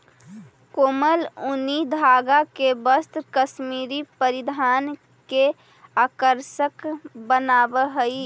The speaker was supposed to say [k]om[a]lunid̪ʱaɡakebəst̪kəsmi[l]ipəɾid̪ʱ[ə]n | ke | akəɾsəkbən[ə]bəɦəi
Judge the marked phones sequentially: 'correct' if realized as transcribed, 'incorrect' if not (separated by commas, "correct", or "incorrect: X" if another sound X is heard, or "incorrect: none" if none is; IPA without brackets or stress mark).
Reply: correct, incorrect: ə, incorrect: ɾ, incorrect: a, incorrect: a